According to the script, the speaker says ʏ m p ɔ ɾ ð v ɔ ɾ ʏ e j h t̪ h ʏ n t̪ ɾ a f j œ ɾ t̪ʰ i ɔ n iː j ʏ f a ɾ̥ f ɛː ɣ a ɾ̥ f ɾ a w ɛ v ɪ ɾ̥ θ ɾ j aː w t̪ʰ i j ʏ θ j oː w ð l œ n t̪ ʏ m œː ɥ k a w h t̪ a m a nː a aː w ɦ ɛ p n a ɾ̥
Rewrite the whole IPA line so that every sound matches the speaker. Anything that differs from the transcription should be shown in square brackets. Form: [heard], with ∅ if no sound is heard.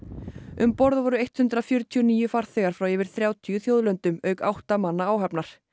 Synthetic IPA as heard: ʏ m p ɔ ɾ ð v ɔ ɾ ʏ e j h t̪ h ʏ n t̪ ɾ a f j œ ɾ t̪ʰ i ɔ n iː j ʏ f a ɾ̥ [θ] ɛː ɣ a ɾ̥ f ɾ a w ɛ v ɪ ɾ̥ θ ɾ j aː w t̪ʰ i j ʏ θ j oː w ð l œ n t̪ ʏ m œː ɥ k a w h t̪ a m a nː a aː w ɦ ɛ p n a ɾ̥